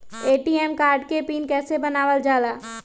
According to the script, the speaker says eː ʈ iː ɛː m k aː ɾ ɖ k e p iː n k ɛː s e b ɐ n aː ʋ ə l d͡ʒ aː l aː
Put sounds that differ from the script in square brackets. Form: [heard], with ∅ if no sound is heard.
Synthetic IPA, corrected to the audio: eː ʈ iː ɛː m k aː ɾ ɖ k e p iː n k ɛː s e b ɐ n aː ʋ ə l d͡ʒ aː l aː